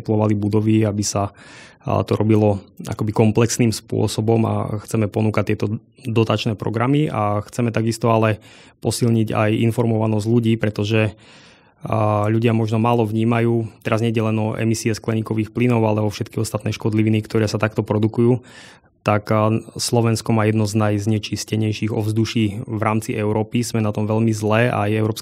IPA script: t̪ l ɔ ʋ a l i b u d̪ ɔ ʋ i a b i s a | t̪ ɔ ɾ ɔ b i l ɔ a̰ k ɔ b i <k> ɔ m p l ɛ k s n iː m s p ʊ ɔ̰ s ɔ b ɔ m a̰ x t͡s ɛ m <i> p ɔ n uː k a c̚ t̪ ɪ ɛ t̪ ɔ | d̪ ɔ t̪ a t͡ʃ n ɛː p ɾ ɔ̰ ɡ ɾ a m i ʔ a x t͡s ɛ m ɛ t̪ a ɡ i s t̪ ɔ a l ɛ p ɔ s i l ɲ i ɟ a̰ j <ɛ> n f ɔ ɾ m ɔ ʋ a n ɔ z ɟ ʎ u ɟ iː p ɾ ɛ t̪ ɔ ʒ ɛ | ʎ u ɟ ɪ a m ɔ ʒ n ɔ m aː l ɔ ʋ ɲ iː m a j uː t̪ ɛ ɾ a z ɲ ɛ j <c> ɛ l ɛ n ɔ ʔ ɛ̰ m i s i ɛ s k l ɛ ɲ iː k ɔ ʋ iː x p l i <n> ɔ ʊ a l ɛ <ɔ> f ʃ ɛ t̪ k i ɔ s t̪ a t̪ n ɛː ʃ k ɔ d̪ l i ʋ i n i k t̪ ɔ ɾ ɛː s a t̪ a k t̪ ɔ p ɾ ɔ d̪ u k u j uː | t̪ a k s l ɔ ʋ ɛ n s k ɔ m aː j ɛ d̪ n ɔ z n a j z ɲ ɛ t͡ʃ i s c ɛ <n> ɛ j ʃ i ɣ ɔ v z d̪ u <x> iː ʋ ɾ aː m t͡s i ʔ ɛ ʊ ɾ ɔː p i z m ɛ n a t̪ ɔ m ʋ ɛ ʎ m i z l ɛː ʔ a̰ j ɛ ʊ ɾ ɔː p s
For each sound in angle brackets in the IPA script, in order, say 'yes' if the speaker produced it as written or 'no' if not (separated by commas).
yes, no, no, no, yes, yes, no, no